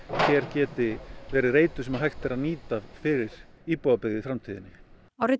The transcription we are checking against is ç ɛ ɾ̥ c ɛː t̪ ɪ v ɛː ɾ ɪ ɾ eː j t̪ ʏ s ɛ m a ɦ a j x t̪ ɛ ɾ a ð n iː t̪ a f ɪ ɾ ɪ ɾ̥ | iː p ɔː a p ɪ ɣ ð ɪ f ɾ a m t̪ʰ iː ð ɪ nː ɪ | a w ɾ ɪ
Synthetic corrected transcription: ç ɛ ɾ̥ c ɛː t̪ ɪ v ɛː ɾ ɪ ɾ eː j t̪ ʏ s ɛ m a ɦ a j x t̪ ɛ ɾ a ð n iː t̪ a f ɪ ɾ ɪ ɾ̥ | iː p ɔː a p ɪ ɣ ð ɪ f ɾ a m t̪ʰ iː ð ɪ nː ɪ | a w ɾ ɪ